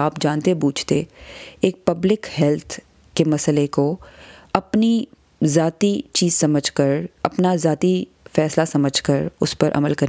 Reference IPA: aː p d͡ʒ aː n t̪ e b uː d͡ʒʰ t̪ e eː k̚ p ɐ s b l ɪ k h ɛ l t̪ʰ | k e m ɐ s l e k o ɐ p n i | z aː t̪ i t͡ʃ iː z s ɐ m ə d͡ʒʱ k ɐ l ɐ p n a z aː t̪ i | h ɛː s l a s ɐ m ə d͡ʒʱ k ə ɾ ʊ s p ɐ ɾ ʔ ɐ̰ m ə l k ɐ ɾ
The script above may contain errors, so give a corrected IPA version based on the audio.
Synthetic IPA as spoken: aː p d͡ʒ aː n t̪ e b uː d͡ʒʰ t̪ e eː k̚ p ɐ b l ɪ k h ɛ l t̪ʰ | k e m ɐ s l e k o ɐ p n i | z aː t̪ i t͡ʃ iː z s ɐ m ə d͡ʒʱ k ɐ ɾ ɐ p n a z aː t̪ i | f ɛː s l a s ɐ m ə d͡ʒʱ k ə ɾ ʊ s p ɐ ɾ ʔ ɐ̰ m ə l k ɐ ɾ